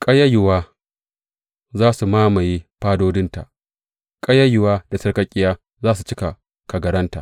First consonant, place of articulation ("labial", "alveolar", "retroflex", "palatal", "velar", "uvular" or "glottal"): velar